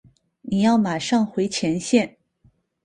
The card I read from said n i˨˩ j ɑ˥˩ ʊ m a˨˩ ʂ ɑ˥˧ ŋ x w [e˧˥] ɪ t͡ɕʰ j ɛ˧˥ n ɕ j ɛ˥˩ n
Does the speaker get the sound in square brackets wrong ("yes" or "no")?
no